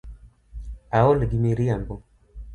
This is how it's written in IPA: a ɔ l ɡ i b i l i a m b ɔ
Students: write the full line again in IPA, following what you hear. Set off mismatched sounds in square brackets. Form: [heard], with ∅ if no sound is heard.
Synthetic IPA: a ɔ l ɡ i [m] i [ɾ] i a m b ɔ